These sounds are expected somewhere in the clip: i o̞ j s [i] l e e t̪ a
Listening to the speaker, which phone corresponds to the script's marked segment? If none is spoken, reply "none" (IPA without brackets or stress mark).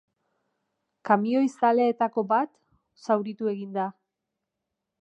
a